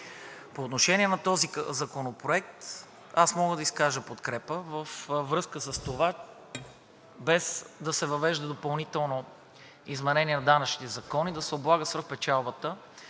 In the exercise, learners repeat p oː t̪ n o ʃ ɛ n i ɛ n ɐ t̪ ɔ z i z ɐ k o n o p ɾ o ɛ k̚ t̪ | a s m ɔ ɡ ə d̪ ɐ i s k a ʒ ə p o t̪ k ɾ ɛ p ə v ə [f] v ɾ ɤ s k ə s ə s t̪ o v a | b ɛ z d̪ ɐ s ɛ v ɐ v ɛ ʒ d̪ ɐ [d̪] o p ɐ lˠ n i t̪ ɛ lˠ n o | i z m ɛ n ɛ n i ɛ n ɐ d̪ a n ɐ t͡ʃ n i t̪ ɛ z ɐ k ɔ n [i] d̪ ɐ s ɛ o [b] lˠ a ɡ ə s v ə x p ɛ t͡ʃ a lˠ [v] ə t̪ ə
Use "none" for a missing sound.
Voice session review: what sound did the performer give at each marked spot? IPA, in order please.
f, d̪, i, b, b

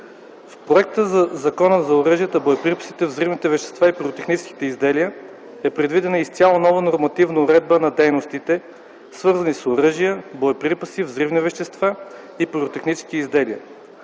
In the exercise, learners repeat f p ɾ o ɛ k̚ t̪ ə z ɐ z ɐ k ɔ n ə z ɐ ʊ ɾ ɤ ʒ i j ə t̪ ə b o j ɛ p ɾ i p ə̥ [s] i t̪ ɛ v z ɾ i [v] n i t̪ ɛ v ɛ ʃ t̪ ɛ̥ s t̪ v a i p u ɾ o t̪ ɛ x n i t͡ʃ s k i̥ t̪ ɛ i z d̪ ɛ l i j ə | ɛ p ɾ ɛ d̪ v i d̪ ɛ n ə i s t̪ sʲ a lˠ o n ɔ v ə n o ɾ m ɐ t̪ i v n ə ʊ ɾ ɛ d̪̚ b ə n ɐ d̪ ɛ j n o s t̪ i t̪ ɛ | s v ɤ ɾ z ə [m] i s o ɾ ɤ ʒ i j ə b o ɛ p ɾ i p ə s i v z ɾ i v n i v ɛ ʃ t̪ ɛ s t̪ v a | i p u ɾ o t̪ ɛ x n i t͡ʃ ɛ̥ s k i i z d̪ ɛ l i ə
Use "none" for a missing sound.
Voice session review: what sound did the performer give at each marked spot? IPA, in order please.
s, v, n

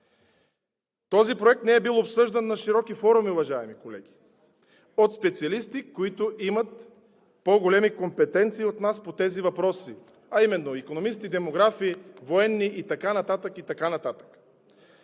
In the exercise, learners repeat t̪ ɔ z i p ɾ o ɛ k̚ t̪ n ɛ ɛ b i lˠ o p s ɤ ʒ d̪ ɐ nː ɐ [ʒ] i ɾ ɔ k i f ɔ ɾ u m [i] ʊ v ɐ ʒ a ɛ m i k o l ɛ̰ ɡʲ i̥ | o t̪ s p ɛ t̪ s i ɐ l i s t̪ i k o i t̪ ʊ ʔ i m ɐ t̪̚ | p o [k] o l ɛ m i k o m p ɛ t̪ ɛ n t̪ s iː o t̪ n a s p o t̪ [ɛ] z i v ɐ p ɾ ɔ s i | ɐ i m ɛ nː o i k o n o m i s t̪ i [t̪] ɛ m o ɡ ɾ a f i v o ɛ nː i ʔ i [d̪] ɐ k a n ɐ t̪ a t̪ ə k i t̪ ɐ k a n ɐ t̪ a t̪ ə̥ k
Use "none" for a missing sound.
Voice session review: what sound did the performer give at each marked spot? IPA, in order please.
ʃ, i, ɡ, ɛ, d̪, t̪

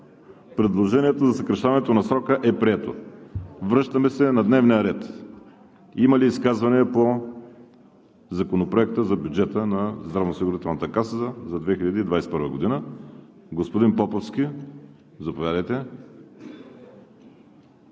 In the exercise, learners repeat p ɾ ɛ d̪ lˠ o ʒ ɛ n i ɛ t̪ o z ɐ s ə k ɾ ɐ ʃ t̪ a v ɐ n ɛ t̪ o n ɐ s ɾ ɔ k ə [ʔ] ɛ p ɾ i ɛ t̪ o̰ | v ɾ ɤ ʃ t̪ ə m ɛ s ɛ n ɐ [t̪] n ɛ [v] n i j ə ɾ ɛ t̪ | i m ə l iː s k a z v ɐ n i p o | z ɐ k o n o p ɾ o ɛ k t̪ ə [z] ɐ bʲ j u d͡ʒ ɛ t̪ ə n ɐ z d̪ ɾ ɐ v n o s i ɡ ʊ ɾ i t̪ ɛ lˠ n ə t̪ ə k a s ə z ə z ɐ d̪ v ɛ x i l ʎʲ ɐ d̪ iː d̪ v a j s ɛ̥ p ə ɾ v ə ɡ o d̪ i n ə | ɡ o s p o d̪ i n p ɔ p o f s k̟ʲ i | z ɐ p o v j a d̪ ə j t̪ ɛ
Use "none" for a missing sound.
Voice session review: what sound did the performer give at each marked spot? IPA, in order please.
ʔ, d̪, v, z

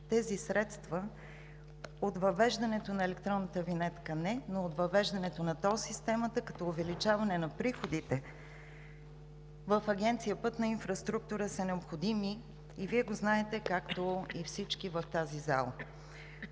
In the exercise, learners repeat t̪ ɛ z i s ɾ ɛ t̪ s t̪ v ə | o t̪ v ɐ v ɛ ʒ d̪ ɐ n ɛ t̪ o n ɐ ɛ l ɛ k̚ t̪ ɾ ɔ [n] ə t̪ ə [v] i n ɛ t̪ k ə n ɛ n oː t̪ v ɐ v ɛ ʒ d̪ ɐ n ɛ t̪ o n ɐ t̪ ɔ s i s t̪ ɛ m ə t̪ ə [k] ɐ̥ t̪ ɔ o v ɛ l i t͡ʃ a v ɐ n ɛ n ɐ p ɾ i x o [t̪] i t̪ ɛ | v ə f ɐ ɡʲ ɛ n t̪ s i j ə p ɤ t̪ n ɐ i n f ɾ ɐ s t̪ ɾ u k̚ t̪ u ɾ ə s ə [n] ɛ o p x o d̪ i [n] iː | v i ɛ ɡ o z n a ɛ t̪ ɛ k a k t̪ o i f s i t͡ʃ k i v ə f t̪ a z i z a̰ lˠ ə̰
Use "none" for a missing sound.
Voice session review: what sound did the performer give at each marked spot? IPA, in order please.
nː, v, k, d̪, n, m

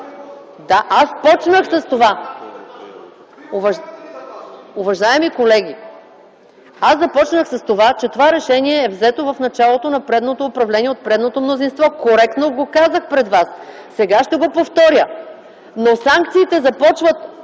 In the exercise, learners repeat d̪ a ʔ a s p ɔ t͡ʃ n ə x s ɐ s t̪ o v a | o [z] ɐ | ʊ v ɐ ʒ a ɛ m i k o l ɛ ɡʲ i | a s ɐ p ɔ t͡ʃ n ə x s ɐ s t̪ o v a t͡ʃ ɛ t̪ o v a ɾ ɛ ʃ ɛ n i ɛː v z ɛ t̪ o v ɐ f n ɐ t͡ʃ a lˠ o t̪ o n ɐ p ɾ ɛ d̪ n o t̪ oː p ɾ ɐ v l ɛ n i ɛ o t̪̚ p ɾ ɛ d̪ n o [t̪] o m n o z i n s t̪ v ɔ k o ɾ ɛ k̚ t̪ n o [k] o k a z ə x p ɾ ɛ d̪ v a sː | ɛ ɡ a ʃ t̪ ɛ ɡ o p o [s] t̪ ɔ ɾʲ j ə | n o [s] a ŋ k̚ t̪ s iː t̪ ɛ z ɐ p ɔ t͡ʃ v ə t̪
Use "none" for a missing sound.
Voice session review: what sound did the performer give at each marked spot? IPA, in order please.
v, t̪, ɡ, f, s

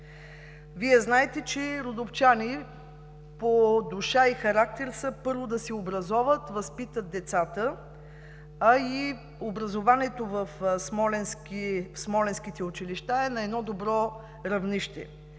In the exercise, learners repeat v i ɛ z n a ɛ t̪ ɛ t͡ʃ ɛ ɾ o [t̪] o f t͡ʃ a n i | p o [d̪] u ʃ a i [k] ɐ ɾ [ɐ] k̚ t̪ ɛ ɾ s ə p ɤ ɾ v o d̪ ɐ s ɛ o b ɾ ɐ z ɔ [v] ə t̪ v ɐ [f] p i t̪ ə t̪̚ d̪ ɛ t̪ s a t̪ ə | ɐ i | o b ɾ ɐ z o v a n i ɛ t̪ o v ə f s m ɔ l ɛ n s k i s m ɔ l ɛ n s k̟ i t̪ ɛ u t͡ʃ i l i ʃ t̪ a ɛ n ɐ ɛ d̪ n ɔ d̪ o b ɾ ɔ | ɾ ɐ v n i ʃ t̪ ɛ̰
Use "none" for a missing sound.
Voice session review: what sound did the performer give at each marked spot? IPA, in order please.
d̪, d̪, x, a, v, s

